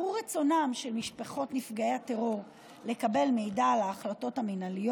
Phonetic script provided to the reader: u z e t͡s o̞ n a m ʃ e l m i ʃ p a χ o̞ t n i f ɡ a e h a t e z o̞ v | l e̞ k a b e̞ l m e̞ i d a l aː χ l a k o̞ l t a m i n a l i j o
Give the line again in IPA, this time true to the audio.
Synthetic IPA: u ʁ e t͡s o̞ n a m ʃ e l m i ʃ p a χ o̞ t n i f ɡ a e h a t e ʁ o̞ ʁ | l e̞ k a b e̞ l m e̞ j d a l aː χ l a t o̞ t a m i n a l i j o

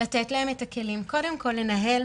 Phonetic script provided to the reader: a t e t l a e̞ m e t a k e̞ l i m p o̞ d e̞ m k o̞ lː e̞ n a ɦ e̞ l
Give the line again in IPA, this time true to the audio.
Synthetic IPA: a t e t l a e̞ m e t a k e̞ l i m k o̞ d e̞ m k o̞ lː e̞ n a ɦ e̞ l

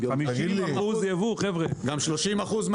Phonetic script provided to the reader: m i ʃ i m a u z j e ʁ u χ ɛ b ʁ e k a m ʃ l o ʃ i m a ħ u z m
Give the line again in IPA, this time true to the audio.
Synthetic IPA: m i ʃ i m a u z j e v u χ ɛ v ʁ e ɡ a m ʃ l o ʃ i m a χ u z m

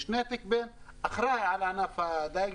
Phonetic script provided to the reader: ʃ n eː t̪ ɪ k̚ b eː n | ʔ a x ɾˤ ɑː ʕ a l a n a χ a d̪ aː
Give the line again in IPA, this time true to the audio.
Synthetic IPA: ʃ n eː t̪ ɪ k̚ b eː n | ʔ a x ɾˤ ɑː ʕ a l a n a f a d̪ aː

